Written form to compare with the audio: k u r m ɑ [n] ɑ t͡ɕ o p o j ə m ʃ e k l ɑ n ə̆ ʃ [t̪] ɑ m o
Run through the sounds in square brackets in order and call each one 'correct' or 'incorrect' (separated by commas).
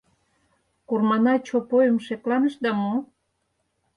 correct, incorrect